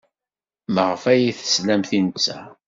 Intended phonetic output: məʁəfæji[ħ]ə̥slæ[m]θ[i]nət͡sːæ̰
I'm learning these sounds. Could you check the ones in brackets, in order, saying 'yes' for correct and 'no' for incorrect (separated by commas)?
no, yes, yes